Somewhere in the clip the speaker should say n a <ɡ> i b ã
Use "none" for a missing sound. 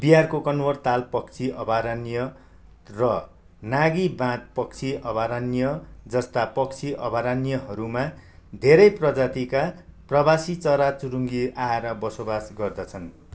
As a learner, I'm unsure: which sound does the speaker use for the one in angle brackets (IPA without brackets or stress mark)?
ɡ